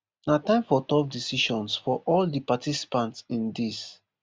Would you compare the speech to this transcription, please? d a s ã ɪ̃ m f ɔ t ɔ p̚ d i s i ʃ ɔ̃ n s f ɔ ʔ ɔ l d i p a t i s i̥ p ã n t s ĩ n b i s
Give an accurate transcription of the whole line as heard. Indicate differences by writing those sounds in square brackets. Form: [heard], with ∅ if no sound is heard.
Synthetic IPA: [n] a [t] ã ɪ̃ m f ɔ t ɔ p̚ d i s i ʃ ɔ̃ n s f ɔ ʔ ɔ l d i p a t i s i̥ p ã n t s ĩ n [d] i s